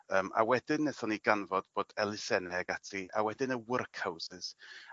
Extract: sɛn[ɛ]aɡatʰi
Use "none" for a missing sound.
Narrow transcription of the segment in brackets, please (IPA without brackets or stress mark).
ɛ